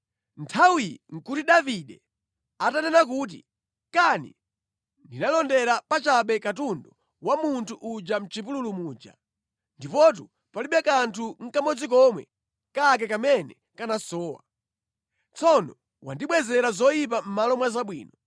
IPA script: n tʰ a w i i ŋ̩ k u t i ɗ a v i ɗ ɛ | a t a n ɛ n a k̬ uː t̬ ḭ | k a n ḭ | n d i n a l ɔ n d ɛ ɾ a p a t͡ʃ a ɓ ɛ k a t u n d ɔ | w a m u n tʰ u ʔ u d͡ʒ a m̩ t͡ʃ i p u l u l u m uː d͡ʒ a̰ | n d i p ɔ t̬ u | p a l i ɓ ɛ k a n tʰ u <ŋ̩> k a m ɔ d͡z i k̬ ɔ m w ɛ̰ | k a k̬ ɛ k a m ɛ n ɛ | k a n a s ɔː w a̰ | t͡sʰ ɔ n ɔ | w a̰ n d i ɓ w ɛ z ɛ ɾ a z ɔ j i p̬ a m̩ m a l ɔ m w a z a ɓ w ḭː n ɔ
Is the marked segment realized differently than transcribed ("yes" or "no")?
no